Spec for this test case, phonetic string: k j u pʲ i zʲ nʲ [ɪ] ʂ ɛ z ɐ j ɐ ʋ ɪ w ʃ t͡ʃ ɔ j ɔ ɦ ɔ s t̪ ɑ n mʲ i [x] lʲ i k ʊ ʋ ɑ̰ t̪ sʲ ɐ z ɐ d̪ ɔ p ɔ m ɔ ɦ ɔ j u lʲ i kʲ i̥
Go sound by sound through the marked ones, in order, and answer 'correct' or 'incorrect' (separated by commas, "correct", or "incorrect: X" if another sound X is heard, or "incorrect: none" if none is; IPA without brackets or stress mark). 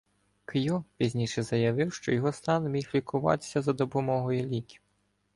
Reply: incorrect: i, correct